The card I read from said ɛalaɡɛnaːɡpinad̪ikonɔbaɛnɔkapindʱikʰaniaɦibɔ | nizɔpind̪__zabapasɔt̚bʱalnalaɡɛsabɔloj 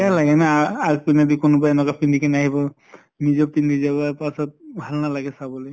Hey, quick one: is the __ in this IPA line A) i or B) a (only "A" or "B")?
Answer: A